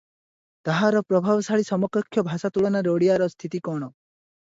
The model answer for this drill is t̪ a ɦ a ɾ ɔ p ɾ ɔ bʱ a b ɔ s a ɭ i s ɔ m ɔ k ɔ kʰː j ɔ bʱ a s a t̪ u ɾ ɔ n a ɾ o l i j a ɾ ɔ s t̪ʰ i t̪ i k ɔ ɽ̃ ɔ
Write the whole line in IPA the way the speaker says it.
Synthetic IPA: t̪ a ɦ a ɾ ɔ p ɾ ɔ bʱ a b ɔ s a ɭ i s ɔ m ɔ k ɔ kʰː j ɔ bʱ a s a t̪ u ɭ ɔ n a ɾ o ɽ i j a ɾ ɔ s t̪ʰ i t̪ i k ɔ ɽ̃ ɔ